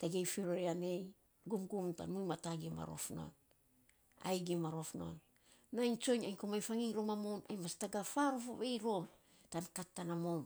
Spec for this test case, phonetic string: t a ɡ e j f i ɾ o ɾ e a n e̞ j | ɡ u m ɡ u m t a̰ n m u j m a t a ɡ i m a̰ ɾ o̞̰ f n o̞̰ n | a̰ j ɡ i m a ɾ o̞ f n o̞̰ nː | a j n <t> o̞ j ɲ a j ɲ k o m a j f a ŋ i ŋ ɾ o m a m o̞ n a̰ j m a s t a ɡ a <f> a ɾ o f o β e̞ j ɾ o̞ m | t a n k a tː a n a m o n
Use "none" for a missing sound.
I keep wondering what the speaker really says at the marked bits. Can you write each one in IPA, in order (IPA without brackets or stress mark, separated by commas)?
t͡ʃ, f